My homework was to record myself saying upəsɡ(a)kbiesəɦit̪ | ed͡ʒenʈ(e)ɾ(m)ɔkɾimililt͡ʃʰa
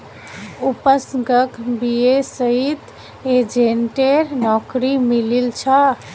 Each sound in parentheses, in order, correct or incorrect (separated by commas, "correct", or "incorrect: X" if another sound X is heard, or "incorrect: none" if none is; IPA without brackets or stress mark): incorrect: ə, correct, incorrect: n